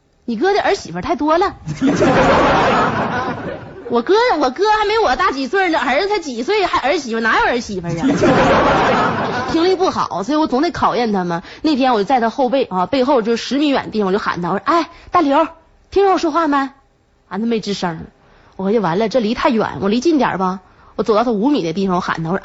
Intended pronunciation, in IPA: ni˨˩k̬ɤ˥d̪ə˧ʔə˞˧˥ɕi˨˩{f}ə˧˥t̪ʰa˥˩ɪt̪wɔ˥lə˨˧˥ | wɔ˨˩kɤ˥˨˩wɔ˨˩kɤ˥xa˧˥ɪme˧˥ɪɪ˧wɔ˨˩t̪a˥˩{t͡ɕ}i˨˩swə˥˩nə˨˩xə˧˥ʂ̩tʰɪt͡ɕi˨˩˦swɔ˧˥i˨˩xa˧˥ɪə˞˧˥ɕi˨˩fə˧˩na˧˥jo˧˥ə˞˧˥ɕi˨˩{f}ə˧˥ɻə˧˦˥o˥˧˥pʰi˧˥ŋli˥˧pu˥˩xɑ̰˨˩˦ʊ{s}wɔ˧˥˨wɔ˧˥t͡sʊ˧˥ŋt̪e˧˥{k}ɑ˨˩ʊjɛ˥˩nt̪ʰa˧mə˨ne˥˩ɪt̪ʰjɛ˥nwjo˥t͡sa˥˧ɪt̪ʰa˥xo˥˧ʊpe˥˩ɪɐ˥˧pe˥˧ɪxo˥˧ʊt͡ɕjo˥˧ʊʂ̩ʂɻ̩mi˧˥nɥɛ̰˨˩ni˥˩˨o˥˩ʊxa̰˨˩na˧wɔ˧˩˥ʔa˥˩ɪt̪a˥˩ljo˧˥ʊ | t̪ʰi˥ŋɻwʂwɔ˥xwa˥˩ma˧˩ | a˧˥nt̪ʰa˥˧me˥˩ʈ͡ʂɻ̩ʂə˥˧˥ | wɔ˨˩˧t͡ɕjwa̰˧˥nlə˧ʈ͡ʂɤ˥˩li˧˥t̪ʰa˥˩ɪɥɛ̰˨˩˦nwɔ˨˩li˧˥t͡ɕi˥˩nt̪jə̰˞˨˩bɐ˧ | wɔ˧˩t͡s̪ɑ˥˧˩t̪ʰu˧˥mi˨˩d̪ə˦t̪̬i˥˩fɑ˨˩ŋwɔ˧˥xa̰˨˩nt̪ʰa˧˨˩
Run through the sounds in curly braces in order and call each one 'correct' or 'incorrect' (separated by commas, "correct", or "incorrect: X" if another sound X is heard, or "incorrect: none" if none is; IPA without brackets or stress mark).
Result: correct, correct, correct, correct, incorrect: kʰ